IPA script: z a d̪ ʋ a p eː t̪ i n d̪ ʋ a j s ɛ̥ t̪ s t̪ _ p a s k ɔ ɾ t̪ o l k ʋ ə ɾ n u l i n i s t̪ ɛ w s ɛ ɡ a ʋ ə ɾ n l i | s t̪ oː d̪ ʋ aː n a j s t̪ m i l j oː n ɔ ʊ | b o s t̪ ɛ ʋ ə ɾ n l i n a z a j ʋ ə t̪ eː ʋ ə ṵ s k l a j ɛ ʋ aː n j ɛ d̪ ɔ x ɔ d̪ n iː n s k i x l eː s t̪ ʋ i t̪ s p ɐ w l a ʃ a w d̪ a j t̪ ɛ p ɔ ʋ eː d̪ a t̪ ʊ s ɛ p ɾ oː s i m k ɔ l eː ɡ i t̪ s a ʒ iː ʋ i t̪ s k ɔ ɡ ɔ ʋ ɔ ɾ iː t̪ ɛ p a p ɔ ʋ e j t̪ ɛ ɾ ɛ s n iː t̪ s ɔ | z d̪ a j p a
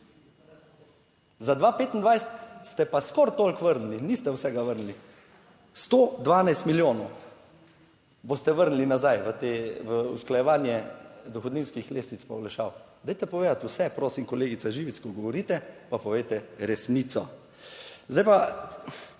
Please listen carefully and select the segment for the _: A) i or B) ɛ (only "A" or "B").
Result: B